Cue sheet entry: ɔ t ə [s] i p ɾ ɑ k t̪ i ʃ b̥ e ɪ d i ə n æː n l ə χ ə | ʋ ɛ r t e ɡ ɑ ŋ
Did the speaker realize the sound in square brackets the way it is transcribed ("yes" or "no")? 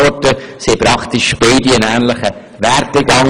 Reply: yes